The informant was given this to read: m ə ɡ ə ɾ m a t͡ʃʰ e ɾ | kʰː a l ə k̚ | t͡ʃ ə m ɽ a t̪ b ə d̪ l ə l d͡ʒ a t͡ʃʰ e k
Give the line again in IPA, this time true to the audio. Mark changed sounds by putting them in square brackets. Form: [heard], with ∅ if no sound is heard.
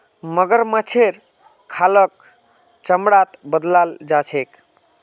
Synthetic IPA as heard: m ə ɡ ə ɾ m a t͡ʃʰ e ɾ | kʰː a l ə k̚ | t͡ʃ ə m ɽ a t̪ b ə d̪ l [a] l d͡ʒ a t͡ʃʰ e k